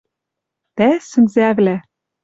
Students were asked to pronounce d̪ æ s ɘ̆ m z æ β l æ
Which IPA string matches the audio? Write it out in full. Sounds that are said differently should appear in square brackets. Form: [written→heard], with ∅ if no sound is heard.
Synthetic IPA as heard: [d̪→t̪] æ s ɘ̆ [m→n] z æ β l æ